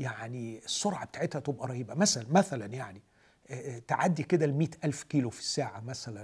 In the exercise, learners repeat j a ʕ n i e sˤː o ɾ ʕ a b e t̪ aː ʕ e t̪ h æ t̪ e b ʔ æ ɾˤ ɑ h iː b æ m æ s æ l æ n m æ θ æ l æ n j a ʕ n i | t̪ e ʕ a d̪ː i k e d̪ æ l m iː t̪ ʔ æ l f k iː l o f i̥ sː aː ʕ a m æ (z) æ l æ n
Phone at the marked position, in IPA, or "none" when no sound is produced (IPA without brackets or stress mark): s